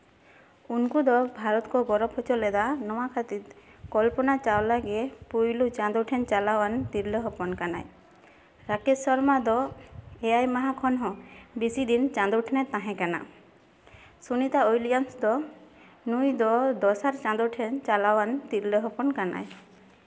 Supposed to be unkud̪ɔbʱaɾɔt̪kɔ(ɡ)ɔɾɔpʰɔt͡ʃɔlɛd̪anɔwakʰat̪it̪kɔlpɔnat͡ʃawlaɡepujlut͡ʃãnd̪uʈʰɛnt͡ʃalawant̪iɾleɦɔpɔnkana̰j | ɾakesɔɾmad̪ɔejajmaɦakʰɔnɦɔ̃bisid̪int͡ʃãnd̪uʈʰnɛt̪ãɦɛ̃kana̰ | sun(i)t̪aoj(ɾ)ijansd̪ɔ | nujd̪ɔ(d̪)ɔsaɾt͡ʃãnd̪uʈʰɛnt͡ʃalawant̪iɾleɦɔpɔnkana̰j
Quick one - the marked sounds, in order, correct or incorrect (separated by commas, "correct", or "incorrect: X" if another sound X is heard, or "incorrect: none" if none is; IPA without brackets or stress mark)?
correct, correct, incorrect: l, correct